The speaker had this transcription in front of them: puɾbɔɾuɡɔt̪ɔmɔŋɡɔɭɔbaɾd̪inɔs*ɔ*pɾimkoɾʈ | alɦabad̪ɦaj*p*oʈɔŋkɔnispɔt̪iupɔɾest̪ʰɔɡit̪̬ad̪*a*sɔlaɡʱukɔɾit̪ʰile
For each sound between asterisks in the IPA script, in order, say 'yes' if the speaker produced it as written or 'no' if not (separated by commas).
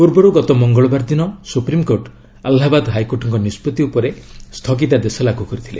no, no, no